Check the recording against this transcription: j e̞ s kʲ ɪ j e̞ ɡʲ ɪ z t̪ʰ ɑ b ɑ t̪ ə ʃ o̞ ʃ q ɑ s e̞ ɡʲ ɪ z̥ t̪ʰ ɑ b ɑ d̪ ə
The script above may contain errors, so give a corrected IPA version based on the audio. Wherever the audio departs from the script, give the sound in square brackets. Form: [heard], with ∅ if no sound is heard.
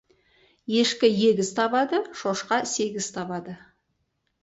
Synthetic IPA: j e̞ [ʃ] kʲ ɪ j e̞ ɡʲ ɪ z t̪ʰ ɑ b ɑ [d̪] ə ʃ o̞ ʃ q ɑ s e̞ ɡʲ ɪ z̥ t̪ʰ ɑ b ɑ d̪ ə